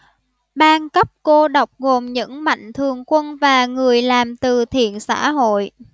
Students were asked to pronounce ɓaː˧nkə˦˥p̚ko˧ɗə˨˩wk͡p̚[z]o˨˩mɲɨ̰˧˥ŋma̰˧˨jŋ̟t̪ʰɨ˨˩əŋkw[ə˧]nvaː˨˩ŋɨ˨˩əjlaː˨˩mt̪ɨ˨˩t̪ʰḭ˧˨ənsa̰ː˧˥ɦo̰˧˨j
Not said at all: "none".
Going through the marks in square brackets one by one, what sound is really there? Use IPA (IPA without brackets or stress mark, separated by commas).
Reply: ɣ, ə˧